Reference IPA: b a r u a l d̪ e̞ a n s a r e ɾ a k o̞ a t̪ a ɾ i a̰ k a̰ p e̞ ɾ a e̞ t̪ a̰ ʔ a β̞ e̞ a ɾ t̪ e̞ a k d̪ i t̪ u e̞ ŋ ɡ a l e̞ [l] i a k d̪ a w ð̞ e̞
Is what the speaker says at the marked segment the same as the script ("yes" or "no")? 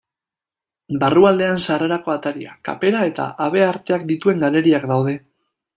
no